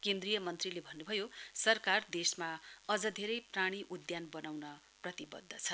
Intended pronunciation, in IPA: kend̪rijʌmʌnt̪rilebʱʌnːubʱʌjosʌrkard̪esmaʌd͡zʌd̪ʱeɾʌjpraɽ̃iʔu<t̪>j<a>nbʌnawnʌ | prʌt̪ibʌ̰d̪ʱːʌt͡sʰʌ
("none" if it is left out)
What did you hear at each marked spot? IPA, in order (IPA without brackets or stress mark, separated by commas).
d̪, a